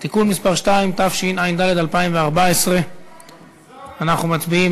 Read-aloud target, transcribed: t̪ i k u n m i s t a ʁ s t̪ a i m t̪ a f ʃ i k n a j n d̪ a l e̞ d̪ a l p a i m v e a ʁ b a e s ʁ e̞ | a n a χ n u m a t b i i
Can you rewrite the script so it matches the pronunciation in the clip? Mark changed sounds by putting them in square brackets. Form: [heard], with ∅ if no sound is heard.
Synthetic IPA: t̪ i k u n m i s [p] a ʁ [ʃ] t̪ a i m t̪ a f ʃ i [∅] n a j n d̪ a l e̞ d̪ a l p a i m v e a ʁ b a e s ʁ e̞ | a n a χ n u m a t b i i